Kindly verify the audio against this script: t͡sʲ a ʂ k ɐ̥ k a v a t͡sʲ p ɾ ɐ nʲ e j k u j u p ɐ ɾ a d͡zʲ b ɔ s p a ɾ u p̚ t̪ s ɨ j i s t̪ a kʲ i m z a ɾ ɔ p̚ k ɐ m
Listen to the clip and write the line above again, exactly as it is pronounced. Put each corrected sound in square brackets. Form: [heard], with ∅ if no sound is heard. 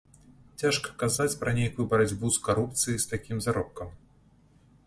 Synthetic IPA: t͡sʲ a ʂ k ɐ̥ k a [z] a t͡sʲ p ɾ ɐ nʲ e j k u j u [b] ɐ ɾ a d͡zʲ b [u] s [k] a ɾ u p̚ t̪ s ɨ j i s t̪ a kʲ i m z a ɾ ɔ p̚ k ɐ m